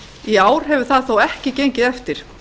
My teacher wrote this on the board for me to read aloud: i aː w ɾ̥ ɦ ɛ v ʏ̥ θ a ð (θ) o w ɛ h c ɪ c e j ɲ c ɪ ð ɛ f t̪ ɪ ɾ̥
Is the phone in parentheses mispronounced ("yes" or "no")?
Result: no